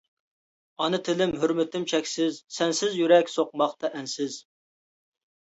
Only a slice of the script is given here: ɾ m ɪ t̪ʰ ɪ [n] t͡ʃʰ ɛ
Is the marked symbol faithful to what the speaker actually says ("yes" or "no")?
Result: no